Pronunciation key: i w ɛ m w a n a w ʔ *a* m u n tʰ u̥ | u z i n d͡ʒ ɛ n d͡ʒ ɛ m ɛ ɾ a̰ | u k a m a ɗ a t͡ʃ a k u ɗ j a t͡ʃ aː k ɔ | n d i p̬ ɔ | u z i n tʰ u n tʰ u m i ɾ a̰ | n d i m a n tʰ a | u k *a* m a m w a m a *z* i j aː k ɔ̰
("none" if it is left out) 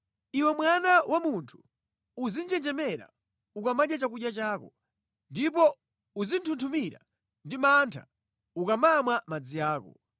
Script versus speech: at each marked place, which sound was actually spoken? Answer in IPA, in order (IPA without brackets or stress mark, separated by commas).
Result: a, a, d͡z